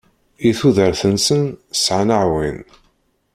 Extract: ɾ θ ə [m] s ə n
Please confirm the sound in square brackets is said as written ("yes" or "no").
no